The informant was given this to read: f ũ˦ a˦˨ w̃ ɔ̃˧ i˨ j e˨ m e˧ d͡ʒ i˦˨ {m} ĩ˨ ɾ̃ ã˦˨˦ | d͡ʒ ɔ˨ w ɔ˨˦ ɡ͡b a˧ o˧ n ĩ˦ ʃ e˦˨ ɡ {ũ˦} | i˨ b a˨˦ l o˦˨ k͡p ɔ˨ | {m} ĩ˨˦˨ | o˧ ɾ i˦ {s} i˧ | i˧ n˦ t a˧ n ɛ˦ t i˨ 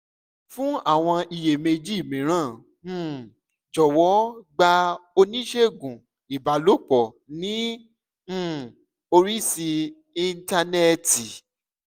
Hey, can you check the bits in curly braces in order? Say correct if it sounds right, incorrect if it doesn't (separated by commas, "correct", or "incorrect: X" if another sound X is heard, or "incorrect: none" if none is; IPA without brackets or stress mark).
correct, incorrect: ũ˨, incorrect: n, correct